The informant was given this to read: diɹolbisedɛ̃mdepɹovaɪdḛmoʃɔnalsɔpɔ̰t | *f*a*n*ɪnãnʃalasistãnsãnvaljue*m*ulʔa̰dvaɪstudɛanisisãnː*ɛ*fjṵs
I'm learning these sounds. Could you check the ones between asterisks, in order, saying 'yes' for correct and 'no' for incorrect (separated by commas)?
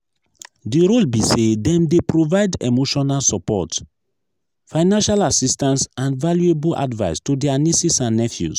yes, no, no, yes